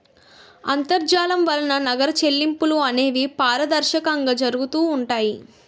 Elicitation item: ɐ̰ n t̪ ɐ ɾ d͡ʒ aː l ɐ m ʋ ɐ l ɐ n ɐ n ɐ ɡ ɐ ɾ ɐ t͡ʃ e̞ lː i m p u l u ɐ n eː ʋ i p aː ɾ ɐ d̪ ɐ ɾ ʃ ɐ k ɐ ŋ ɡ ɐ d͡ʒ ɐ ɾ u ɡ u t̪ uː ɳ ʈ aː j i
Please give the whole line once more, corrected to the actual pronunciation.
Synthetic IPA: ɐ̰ n t̪ ɐ ɾ d͡ʒ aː l ɐ m ʋ ɐ l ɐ n ɐ n ɐ ɡ ɐ ɾ ɐ t͡ʃ e̞ lː i m p u l u ɐ n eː ʋ i p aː ɾ ɐ d̪ ɐ ɾ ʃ ɐ k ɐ ŋ ɡ ɐ d͡ʒ ɐ ɾ u ɡ u t̪ uː ɳ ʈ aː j i

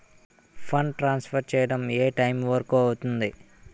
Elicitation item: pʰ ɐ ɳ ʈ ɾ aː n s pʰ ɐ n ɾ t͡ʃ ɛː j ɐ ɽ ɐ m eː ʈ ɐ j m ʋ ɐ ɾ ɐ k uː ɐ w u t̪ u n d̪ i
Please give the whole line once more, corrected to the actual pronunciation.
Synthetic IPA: pʰ ɐ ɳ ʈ ɾ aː n s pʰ ɐ ɾ t͡ʃ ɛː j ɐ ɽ ɐ m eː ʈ ɐ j m ʋ ɐ ɾ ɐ k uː ɐ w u t̪ u n d̪ i

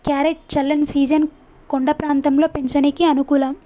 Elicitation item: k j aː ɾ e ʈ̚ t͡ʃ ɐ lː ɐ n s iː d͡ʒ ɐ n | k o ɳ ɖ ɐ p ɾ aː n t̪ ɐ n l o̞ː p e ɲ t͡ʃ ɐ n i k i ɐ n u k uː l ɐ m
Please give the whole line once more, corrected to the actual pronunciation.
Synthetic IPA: k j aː ɾ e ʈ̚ t͡ʃ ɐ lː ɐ n s iː d͡ʒ ɐ n | k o ɳ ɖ ɐ p ɾ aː n t̪ ɐ m l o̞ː p e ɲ t͡ʃ ɐ n i k i ɐ n u k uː l ɐ m

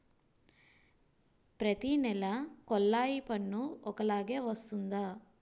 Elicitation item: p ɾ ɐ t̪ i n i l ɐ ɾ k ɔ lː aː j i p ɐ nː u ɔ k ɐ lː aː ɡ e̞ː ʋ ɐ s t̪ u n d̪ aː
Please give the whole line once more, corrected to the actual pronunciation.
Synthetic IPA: p ɾ ɐ t̪ i n ɛ l ɐ k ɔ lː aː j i p ɐ nː u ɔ k ɐ l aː ɡ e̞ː ʋ ɐ s t̪ u n d̪ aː

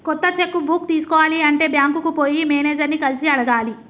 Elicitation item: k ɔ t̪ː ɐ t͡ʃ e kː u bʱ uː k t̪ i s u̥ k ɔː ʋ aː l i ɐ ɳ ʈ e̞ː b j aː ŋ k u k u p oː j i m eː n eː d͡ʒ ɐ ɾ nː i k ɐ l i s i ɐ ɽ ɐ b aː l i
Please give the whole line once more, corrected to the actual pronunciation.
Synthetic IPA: k ɔ t̪ː ɐ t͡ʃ e kː u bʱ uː k t̪ iː s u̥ k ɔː ʋ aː l i ɐ ɳ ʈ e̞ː b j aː ŋ k u k u p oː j i m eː n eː d͡ʒ ɐ ɾ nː i k ɐ l i s i ɐ ɽ ɐ ɡ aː l i

